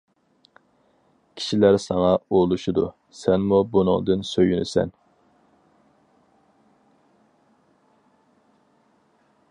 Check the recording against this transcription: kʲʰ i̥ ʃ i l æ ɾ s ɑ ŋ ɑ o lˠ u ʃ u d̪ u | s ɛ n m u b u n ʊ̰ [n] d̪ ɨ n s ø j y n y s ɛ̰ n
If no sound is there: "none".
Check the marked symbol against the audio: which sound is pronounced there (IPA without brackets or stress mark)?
ŋ